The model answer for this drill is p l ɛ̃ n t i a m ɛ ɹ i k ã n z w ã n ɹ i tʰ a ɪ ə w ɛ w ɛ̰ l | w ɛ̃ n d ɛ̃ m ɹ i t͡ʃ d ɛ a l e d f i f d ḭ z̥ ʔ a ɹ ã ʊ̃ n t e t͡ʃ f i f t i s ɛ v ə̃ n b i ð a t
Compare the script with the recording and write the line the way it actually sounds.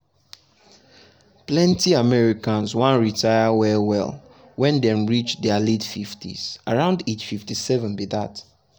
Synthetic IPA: p l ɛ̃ n t i a m ɛ ɹ i k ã n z w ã n ɹ i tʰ a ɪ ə w ɛ w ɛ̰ l | w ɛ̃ n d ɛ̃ m ɹ i t͡ʃ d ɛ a l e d f i f t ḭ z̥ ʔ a ɹ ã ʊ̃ n d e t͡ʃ f i f t i s ɛ v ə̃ n b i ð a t